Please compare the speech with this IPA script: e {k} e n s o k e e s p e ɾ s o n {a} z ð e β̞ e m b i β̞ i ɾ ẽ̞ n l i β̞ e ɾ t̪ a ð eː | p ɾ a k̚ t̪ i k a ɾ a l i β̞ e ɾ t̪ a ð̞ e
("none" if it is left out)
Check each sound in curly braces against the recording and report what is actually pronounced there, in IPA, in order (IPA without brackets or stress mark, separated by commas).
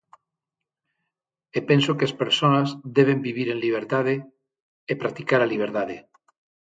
p, a